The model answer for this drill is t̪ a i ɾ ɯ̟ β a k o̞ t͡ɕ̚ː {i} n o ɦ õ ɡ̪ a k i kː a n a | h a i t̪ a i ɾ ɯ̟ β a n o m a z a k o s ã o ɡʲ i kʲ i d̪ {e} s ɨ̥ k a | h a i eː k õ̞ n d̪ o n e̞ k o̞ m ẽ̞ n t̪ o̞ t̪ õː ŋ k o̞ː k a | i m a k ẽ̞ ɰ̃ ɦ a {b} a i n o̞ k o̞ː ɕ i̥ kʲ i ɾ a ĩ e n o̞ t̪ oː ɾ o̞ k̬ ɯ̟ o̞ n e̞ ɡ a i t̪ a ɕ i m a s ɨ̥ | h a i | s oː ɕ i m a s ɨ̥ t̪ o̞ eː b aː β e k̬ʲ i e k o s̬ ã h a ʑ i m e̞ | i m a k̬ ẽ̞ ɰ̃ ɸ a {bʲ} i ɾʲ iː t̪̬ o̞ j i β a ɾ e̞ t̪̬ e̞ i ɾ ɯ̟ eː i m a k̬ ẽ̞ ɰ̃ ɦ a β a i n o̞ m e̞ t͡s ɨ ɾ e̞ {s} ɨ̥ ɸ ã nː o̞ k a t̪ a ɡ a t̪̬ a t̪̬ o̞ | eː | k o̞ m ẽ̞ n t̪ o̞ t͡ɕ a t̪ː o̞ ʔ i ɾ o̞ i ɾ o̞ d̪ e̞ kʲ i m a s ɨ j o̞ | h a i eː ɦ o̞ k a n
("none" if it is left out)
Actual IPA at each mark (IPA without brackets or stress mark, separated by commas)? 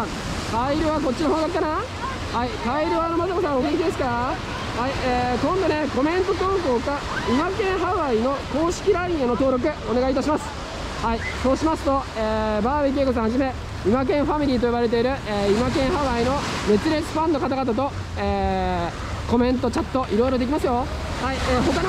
i, e, β, mʲ, t͡s